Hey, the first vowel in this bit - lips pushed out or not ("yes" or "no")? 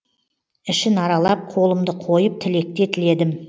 no